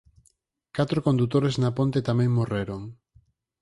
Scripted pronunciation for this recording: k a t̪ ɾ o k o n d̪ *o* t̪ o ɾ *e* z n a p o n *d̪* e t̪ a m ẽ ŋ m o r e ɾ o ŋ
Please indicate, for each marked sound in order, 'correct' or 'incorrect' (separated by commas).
incorrect, correct, incorrect